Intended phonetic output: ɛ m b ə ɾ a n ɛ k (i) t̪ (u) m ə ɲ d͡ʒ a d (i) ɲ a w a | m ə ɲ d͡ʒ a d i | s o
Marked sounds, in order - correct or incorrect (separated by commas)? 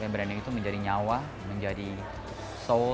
correct, correct, correct